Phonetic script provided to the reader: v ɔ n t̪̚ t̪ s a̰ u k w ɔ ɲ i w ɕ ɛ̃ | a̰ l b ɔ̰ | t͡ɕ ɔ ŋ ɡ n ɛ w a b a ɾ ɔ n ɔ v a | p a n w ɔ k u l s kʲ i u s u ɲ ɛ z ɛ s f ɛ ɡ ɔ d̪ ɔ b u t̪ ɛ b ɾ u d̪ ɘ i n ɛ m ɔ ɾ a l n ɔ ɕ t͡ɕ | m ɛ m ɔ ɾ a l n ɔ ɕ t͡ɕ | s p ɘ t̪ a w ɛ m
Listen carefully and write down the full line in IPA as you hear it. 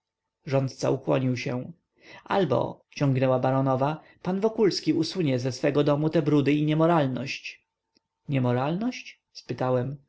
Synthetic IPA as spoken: ʐ ɔ n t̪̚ t̪ s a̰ u k w ɔ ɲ i w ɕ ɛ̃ | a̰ l b ɔ̰ | t͡ɕ ɔ ŋ ɡ n ɛ w a b a ɾ ɔ n ɔ v a | p a n v ɔ k u l s kʲ i u s u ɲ ɛ z ɛ s f ɛ ɡ ɔ d̪ ɔ m u t̪ ɛ b ɾ u d̪ ɘ i ɲ ɛ m ɔ ɾ a l n ɔ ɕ t͡ɕ | ɲ ɛ m ɔ ɾ a l n ɔ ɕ t͡ɕ | s p ɘ t̪ a w ɛ m

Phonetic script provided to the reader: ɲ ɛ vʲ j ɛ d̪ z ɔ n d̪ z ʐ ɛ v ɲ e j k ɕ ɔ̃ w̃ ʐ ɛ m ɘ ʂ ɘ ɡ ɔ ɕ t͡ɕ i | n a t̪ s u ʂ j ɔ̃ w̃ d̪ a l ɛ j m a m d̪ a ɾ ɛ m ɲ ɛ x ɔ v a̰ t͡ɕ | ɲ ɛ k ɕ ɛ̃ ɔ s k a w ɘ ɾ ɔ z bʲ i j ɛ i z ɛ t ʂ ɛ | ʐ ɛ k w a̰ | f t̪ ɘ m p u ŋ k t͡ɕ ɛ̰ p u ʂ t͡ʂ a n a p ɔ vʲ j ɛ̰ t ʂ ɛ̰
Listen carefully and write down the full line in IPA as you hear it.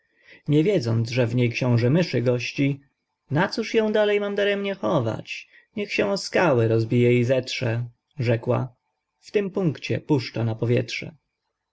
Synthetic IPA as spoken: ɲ ɛ vʲ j ɛ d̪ z ɔ n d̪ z ʐ ɛ v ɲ e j k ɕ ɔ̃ w̃ ʐ ɛ m ɘ ʂ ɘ ɡ ɔ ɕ t͡ɕ i | n a t̪ s u ʂ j ɔ̃ w̃ d̪ a l ɛ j m a m d̪ a ɾ ɛ m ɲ ɛ x ɔ v a̰ t͡ɕ | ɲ ɛ x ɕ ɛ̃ ɔ s k a w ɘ ɾ ɔ z bʲ i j ɛ i z ɛ t ʂ ɛ | ʐ ɛ k w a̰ | f t̪ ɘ m p u ŋ k t͡ɕ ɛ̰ p u ʂ t͡ʂ a n a p ɔ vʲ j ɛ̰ t ʂ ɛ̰

